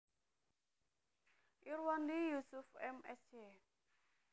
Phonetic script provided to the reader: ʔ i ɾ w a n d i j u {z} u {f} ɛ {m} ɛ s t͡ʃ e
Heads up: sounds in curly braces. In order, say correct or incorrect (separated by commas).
incorrect, correct, correct